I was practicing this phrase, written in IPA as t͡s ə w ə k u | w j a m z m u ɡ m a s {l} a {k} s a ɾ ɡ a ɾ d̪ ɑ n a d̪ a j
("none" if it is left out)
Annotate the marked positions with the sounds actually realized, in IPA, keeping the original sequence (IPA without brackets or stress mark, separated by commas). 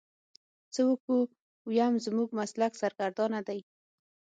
l, k